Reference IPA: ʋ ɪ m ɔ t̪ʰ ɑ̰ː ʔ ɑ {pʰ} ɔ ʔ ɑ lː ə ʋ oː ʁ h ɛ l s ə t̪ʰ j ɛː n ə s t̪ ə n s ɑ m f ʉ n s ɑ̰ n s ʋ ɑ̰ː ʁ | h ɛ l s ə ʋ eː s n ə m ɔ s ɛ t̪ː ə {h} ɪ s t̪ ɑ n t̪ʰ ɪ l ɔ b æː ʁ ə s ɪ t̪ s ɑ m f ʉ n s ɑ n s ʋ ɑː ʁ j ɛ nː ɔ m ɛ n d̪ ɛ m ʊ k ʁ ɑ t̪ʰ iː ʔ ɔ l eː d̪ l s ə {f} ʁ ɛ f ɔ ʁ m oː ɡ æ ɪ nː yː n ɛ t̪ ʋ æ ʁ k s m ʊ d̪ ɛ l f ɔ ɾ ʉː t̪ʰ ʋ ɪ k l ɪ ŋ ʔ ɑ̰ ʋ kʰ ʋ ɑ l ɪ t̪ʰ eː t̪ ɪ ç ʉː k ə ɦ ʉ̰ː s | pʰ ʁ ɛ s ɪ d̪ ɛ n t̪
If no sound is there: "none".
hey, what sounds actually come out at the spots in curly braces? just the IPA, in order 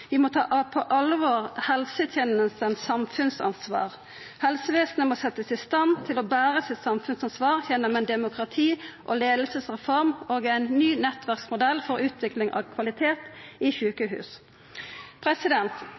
pʰ, s, s

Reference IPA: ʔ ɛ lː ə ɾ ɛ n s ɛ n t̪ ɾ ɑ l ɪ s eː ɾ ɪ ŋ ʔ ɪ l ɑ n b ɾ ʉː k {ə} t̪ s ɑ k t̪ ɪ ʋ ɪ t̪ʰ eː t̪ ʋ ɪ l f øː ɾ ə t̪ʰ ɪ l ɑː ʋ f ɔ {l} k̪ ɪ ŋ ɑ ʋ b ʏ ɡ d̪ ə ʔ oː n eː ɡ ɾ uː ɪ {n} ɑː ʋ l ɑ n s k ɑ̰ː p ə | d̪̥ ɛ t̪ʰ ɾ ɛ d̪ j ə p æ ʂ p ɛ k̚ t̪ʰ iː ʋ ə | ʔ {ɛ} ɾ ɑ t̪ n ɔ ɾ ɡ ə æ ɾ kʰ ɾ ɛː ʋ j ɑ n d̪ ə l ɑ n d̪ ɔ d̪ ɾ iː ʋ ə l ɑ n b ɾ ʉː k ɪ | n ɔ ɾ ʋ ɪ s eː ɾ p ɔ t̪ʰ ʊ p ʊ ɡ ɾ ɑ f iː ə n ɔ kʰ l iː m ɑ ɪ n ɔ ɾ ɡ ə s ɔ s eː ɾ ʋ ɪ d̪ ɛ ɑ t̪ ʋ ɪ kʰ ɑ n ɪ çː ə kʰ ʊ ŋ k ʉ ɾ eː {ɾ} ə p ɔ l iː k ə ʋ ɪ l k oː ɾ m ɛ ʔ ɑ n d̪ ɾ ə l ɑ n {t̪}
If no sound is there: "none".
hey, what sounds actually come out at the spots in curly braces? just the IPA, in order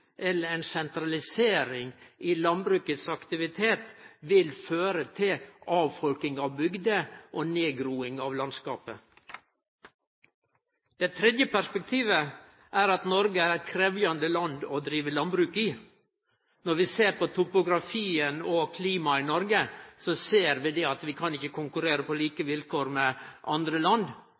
ə, l, ŋ, æ, ɾ, d̪

